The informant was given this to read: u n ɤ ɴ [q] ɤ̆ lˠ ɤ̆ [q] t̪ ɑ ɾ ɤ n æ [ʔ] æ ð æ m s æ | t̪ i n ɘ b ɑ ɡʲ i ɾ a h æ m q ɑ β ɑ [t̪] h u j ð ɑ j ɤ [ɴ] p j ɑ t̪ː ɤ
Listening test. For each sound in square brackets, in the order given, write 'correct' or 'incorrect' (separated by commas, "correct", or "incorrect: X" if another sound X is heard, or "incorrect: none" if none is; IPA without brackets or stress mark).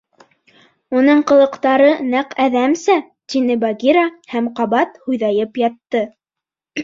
correct, correct, incorrect: q, correct, incorrect: none